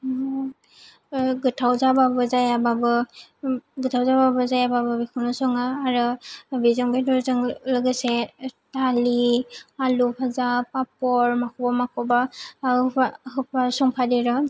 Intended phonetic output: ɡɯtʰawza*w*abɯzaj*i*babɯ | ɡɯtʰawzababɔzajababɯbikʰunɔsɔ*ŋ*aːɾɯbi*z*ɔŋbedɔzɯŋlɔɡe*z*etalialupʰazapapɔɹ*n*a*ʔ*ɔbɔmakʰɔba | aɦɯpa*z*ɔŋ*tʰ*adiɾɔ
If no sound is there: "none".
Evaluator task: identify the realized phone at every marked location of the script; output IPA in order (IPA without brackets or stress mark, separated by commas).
b, a, ŋ, z, s, m, k, s, pʰ